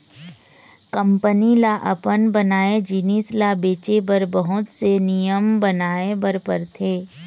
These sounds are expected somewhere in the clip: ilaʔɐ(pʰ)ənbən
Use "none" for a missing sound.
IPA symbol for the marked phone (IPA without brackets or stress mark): p